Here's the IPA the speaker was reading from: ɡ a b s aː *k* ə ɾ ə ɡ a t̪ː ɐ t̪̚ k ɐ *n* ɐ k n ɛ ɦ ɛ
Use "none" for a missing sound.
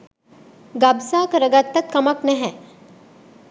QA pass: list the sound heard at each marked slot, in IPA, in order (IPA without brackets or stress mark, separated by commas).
k, m